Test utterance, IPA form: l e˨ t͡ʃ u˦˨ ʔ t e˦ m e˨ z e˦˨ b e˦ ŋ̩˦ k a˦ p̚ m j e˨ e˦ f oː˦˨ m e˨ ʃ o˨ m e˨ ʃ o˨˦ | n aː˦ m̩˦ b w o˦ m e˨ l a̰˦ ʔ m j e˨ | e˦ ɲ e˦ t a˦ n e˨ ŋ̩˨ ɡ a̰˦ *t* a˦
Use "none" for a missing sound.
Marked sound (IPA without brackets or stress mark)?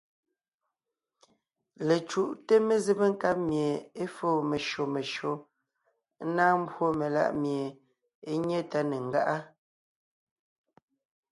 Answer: ʔ